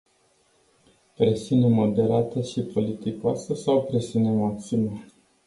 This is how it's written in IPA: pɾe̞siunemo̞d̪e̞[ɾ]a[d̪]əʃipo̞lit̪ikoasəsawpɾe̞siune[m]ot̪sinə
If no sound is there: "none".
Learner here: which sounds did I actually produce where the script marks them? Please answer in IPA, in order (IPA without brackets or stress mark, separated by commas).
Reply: ɾ, t̪, m